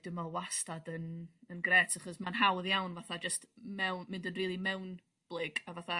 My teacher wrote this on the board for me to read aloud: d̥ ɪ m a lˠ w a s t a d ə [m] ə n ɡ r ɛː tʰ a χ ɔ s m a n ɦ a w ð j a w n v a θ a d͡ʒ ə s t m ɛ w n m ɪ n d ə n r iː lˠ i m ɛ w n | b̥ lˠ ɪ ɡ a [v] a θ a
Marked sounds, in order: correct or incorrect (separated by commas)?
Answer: incorrect, correct